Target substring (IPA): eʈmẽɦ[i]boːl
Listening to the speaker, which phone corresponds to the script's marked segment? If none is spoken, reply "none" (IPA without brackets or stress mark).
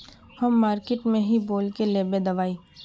i